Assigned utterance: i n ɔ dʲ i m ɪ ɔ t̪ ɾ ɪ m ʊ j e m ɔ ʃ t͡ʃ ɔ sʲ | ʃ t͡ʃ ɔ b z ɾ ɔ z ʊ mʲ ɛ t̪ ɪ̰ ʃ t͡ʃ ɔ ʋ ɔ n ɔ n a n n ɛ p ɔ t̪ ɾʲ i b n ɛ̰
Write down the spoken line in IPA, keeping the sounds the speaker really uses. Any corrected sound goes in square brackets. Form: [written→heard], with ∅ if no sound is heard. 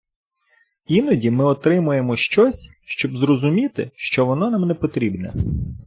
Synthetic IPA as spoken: i n ɔ dʲ i m ɪ ɔ t̪ ɾ ɪ m ʊ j e m ɔ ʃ t͡ʃ ɔ sʲ | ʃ t͡ʃ ɔ b z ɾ ɔ z ʊ mʲ [ɛ→i] t̪ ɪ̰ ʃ t͡ʃ ɔ ʋ ɔ n ɔ n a [n→m] n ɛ p ɔ t̪ ɾʲ i b n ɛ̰